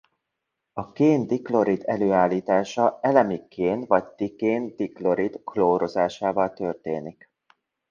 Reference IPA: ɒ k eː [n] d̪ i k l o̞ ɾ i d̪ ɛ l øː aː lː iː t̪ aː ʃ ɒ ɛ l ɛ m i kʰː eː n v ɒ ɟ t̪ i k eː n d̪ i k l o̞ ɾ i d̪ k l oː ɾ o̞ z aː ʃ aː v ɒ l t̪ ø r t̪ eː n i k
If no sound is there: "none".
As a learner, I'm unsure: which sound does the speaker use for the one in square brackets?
n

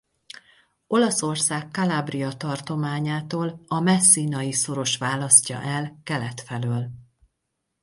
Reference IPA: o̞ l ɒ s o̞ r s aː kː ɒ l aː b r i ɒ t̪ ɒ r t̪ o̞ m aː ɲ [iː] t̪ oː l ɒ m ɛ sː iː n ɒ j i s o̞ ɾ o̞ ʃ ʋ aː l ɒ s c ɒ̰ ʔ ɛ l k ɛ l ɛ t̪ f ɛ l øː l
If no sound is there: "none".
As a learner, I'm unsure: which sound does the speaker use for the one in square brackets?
aː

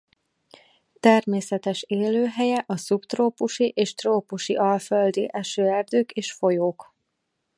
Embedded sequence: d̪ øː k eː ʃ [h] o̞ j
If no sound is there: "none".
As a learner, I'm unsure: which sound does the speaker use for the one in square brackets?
f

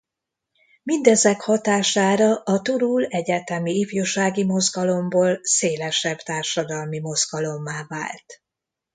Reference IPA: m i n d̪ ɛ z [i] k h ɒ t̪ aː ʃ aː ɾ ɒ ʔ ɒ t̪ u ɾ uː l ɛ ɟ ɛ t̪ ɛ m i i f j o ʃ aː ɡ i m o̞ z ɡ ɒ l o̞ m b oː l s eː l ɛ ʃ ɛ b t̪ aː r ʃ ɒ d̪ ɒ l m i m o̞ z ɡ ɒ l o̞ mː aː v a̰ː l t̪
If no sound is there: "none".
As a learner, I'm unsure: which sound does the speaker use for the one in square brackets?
ɛ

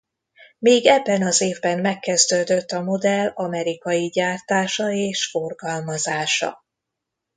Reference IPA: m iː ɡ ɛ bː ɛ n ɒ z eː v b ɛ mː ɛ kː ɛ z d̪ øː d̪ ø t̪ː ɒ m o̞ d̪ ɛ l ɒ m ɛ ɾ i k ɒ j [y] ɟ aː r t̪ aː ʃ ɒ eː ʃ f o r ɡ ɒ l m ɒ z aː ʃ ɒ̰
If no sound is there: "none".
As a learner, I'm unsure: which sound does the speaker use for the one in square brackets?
i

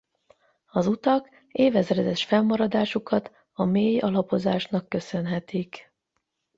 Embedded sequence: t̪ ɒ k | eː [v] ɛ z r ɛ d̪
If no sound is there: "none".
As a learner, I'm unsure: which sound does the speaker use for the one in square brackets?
v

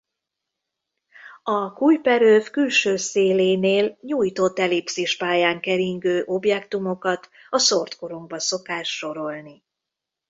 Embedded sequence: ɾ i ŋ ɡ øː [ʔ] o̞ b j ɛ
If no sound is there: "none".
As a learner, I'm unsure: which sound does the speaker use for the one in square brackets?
ʔ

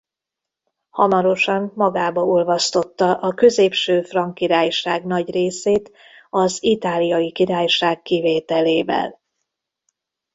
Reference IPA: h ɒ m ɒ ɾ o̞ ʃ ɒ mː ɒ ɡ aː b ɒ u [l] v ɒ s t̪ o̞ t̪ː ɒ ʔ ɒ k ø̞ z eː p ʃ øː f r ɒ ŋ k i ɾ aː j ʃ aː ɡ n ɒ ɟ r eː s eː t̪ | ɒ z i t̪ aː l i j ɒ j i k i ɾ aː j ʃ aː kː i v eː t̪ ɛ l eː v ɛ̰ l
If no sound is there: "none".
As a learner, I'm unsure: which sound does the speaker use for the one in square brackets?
l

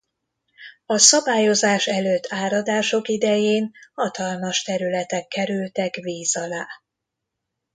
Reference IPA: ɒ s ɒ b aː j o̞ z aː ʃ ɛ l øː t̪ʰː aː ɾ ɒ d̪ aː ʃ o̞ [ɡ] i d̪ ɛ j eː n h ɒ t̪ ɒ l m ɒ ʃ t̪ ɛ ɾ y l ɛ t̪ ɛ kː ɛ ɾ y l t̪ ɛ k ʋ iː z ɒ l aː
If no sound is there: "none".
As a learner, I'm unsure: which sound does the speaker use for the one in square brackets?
k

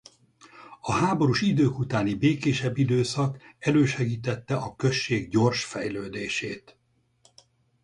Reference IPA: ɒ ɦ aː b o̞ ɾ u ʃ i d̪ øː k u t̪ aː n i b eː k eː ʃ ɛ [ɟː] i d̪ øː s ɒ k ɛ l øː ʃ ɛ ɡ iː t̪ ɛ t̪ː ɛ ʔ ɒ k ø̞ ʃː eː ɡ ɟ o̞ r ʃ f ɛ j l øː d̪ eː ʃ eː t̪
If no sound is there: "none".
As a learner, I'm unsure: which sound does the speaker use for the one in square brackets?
bː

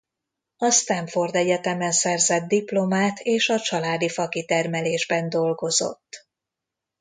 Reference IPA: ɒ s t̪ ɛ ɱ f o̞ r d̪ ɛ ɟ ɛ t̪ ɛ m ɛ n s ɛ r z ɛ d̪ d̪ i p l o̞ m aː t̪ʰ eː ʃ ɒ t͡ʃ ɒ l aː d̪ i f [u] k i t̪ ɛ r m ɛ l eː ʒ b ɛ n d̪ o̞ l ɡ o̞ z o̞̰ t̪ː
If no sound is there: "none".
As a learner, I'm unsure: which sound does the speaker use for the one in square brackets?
ɒ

